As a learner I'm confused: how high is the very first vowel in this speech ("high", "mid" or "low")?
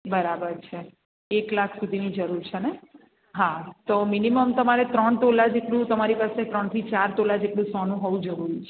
mid